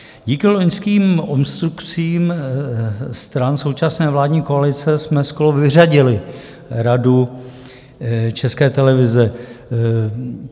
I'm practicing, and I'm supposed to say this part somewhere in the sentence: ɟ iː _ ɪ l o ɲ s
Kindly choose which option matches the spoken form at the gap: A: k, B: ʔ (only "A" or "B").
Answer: A